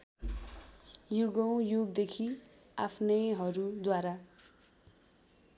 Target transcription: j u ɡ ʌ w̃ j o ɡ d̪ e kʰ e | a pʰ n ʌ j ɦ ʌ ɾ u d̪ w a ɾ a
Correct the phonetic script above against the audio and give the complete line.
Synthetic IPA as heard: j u ɡ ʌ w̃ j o ɡ d̪ e kʰ i | a pʰ n ʌ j ɦ ʌ ɾ u d̪ w a ɾ a